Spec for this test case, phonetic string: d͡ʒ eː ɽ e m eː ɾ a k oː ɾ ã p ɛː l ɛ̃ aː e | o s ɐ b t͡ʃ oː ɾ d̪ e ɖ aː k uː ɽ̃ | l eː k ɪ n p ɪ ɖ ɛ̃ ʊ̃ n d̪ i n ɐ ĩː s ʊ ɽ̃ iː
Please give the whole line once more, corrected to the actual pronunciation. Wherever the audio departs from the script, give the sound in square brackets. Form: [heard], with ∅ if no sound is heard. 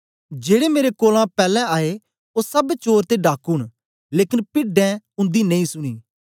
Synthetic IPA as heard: d͡ʒ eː ɽ e m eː ɾ [e] k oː [l] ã p ɛː l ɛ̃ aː e | o s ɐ b t͡ʃ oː ɾ [t̪] e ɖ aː k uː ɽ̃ | l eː k ɪ n p ɪ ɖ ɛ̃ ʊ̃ n d̪ i n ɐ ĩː s ʊ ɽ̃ iː

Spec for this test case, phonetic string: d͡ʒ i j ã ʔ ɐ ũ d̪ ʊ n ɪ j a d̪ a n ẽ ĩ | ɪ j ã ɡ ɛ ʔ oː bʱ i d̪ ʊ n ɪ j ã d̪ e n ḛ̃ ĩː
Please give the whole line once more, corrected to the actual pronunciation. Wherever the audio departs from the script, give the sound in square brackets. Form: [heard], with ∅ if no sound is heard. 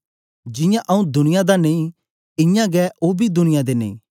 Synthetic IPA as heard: d͡ʒ [ɪ] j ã ʔ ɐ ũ d̪ ʊ n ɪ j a d̪ a n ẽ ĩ | ɪ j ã ɡ ɛ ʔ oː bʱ i d̪ ʊ n ɪ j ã d̪ e n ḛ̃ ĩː

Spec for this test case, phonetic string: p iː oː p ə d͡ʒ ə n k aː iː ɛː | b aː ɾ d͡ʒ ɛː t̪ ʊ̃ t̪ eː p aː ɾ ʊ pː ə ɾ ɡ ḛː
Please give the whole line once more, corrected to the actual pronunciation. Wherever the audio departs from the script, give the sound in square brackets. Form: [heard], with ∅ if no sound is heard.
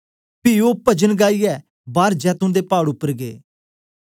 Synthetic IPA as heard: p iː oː p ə d͡ʒ ə n [ɡ] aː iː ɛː | b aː ɾ d͡ʒ ɛː t̪ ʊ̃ [d̪] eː p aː [ɽ] ʊ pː ə ɾ ɡ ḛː

